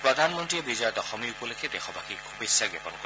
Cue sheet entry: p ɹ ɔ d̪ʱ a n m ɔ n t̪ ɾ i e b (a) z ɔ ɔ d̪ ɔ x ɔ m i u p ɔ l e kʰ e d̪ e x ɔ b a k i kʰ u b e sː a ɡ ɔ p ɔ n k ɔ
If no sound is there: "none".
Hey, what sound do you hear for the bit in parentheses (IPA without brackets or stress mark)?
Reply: i